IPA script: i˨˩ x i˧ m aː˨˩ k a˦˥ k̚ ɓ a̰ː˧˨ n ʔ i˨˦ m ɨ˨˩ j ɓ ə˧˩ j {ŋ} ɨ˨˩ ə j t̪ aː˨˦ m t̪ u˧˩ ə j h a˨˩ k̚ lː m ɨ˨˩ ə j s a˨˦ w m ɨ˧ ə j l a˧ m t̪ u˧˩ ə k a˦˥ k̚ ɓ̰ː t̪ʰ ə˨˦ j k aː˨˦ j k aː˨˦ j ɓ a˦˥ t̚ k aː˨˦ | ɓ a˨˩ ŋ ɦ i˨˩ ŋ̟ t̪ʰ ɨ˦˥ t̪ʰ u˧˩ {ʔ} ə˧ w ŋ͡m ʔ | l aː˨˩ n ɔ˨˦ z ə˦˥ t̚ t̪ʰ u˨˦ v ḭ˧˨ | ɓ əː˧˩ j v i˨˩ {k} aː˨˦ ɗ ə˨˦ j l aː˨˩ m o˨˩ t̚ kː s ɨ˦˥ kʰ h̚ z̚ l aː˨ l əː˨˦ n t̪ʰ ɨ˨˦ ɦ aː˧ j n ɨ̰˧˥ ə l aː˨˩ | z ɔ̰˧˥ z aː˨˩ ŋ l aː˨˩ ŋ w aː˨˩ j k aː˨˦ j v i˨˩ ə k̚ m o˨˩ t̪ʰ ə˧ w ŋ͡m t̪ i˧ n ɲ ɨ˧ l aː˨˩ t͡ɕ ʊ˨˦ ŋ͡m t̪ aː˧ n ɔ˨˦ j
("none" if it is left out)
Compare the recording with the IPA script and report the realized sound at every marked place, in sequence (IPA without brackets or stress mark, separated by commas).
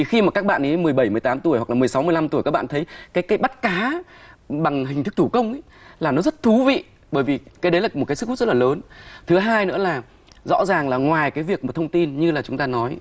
m, k, k